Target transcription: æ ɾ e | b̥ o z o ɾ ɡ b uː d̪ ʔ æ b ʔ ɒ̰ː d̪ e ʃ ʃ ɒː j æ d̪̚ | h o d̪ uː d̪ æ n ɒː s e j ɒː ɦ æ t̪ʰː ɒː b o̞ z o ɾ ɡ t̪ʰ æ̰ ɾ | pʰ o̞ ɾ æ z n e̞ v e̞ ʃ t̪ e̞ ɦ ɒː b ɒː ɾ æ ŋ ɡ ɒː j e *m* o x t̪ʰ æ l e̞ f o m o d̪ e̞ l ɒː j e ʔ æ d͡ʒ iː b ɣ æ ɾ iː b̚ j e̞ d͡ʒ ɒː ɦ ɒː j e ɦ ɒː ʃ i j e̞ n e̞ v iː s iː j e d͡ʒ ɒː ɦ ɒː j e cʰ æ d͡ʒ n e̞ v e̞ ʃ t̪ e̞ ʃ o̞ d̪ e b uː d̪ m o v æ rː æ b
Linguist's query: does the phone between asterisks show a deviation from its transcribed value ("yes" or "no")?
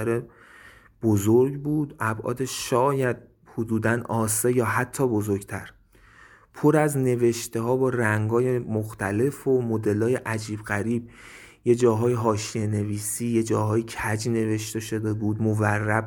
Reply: no